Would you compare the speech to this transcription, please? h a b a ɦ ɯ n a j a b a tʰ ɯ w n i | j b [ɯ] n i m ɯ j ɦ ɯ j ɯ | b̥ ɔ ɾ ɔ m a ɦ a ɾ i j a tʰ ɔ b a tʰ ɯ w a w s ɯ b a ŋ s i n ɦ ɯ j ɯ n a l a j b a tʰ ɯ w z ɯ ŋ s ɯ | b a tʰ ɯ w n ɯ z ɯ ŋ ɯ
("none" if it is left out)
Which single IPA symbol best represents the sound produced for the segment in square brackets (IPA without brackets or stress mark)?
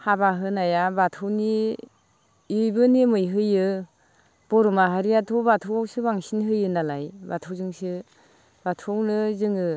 ɯ